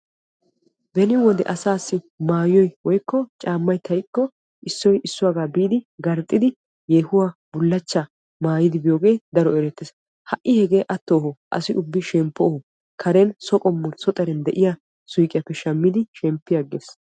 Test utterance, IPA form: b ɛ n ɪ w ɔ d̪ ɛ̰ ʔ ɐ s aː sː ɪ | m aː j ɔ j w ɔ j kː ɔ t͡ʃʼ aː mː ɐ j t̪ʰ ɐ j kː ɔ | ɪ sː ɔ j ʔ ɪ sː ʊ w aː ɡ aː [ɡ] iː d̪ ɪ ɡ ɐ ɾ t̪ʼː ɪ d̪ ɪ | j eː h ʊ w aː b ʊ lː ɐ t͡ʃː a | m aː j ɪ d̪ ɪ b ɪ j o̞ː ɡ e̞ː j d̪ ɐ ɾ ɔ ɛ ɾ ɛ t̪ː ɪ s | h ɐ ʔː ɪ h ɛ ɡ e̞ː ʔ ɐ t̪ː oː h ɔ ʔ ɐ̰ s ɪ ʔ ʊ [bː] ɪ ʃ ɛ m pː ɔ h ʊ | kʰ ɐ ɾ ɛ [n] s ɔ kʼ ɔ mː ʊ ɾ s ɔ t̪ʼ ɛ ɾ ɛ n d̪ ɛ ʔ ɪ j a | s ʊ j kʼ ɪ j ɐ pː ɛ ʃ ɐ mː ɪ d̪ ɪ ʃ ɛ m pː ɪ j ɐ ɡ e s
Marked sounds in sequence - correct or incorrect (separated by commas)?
incorrect, correct, correct